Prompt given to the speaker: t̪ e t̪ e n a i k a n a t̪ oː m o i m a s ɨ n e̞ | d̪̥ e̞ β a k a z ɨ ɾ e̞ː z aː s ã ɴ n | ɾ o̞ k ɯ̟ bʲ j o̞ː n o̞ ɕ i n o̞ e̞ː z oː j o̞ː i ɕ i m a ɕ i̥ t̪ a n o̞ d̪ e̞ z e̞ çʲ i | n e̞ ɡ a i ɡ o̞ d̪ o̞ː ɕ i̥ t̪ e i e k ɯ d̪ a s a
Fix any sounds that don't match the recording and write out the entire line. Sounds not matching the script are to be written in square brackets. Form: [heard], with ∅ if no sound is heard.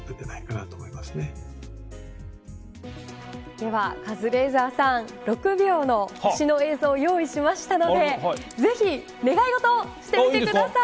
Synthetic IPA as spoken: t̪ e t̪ e n a i k a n a t̪ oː m o i m a s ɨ n e̞ | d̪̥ e̞ β a k a z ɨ ɾ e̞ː z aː s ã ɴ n | ɾ o̞ k ɯ̟ bʲ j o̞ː n o̞ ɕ i n o̞ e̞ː z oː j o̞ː i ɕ i m a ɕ i̥ t̪ a n o̞ d̪ e̞ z e̞ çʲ i | n e̞ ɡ a i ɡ o̞ [t̪] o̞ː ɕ i̥ t̪ e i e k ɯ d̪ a s a

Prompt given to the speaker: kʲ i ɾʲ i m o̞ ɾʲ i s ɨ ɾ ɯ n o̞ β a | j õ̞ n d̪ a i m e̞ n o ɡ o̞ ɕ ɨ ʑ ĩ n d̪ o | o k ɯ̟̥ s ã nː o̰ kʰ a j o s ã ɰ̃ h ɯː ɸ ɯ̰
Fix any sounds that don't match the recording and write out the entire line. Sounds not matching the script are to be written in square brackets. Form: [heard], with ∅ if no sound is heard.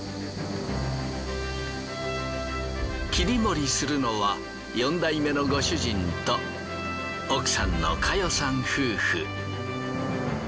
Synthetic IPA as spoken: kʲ i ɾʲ i m o̞ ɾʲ i s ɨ ɾ ɯ n o̞ β a | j õ̞ n d̪ a i m e̞ n o ɡ o̞ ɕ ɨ ʑ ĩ n [t̪] o | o k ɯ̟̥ s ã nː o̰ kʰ a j o s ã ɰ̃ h ɯː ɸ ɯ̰

